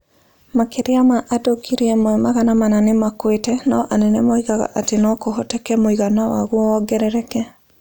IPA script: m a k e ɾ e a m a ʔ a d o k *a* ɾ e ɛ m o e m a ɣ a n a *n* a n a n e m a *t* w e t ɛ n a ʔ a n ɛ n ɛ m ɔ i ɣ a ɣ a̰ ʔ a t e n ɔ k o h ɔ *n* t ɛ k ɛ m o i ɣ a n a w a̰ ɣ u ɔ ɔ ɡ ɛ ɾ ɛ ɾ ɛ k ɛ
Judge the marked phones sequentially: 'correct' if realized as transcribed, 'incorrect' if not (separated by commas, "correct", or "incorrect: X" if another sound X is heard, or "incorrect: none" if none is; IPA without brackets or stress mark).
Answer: incorrect: i, incorrect: m, incorrect: k, incorrect: none